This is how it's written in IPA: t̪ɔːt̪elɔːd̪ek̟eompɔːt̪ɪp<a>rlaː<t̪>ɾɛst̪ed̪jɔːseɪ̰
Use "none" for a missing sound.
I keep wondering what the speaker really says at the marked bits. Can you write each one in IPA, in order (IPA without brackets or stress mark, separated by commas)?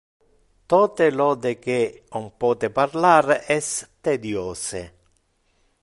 a, none